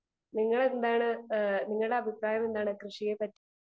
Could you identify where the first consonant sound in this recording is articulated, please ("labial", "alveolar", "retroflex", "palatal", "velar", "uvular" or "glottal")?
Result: alveolar